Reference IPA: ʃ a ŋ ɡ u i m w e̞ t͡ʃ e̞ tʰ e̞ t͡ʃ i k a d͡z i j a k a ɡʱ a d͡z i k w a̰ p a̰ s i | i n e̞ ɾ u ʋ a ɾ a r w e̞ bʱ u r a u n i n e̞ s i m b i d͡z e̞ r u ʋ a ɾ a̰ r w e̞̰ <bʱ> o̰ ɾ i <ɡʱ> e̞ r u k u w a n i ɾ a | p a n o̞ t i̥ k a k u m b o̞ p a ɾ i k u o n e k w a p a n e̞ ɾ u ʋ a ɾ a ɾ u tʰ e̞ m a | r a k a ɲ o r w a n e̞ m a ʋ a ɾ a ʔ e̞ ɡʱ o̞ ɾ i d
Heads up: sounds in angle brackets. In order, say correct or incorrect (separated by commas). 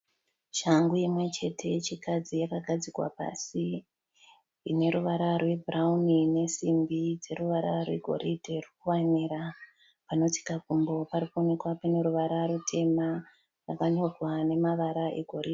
incorrect, incorrect